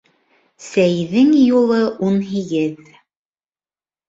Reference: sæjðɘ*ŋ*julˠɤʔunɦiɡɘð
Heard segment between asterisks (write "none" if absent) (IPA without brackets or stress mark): ŋ